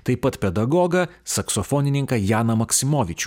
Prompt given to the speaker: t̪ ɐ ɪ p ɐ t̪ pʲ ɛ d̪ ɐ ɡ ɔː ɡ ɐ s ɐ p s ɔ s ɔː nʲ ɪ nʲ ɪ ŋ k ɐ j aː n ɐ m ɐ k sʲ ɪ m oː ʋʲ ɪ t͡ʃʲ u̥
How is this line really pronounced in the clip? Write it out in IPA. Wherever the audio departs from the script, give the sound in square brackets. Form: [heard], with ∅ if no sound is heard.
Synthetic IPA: t̪ ɐ ɪ p ɐ t̪ pʲ ɛ d̪ ɐ ɡ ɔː ɡ ɐ s ɐ [k] s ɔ [f] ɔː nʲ ɪ nʲ ɪ ŋ k ɐ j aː n ɐ m ɐ k sʲ ɪ m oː ʋʲ ɪ t͡ʃʲ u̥